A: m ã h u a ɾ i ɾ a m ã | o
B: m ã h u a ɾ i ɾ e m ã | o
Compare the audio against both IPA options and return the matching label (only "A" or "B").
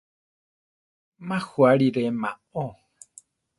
B